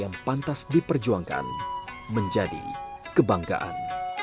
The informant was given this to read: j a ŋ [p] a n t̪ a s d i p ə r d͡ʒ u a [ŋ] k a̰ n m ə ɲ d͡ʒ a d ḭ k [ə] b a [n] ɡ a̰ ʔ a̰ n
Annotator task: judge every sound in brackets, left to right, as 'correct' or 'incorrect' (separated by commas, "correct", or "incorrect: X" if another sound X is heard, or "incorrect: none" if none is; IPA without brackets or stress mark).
correct, correct, correct, incorrect: ŋ